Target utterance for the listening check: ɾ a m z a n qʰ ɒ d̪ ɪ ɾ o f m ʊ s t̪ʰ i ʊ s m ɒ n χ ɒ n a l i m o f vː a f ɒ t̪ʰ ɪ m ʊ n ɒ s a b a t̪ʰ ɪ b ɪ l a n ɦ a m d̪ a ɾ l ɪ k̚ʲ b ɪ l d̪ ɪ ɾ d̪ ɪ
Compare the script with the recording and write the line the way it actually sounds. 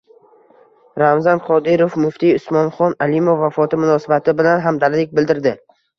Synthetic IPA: ɾ a m z a n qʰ ɒ d̪ ɪ ɾ o f m ʊ f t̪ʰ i ʊ s m ɒ n χ ɒ n a l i m o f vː a f ɒ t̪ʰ ɪ m ʊ n ɒ s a b a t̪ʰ ɪ b ɪ l a n ɦ a m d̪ a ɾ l ɪ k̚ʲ b ɪ l d̪ ɪ ɾ d̪ ɪ